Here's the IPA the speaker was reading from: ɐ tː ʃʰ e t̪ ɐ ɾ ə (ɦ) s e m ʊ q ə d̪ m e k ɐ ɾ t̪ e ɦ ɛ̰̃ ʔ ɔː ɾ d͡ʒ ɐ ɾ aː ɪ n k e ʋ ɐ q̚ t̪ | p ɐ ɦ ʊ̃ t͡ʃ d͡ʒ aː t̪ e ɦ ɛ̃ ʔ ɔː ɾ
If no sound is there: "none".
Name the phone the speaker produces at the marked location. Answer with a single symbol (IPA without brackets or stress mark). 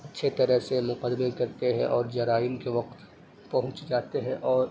ɦ